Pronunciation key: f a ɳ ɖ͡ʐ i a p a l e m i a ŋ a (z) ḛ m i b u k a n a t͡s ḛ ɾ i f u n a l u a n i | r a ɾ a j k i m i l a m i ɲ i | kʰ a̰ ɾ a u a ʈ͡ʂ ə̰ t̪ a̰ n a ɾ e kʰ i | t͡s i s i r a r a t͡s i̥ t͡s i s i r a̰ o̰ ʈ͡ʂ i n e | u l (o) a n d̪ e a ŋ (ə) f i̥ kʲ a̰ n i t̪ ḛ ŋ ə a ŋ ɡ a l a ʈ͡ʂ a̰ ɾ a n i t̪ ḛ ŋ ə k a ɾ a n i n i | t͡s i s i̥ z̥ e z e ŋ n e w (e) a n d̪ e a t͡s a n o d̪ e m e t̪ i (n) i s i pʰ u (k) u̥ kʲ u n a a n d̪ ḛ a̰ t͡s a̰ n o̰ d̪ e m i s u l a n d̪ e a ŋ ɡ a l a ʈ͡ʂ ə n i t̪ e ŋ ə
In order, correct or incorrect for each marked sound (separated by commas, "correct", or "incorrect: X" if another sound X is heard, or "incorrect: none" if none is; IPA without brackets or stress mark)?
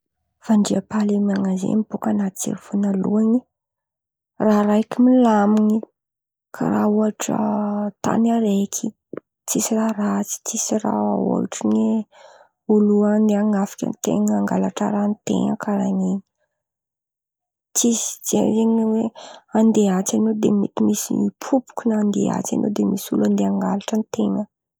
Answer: correct, incorrect: u, incorrect: a, correct, incorrect: m, incorrect: p